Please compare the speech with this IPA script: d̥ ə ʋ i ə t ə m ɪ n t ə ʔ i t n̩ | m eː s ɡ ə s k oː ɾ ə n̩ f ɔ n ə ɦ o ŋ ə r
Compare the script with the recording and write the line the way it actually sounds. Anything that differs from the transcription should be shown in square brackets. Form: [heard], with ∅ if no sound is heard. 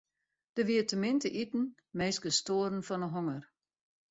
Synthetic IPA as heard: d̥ ə ʋ i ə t ə m ɪ n t ə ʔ i t n̩ | m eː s ɡ ə s [t] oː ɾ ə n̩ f ɔ n ə ɦ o ŋ ə r